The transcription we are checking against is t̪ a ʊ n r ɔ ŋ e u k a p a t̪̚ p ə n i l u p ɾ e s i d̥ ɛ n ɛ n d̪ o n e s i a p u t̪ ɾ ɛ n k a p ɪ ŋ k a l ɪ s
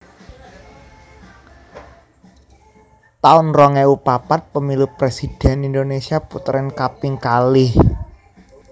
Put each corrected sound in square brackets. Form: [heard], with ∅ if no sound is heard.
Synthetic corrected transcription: t̪ a ʊ n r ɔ ŋ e u [p] a p a t̪̚ p ə [m] i l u p ɾ e s i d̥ ɛ n [i] n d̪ o n e s i a p u t̪ ɾ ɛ n k a p ɪ ŋ k a l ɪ [h]